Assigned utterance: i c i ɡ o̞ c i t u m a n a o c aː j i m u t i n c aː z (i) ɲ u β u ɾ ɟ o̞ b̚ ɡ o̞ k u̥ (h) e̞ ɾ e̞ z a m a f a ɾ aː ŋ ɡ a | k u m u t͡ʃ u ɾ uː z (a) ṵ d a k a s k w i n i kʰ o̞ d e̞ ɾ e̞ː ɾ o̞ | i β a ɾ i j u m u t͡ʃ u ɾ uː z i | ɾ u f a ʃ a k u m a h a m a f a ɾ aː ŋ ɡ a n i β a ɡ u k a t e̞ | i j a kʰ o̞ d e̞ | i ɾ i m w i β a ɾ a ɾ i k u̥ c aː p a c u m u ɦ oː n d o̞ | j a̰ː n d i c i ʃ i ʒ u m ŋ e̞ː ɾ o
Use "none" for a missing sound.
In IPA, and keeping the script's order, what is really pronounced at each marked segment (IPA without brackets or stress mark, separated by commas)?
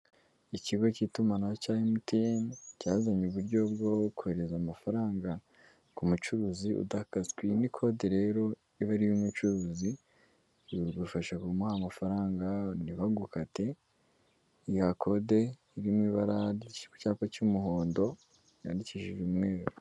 a, h, i